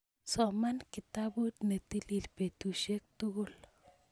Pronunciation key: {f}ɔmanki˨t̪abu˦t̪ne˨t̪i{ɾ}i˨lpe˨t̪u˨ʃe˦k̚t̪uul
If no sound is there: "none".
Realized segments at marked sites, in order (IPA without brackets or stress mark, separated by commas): s, l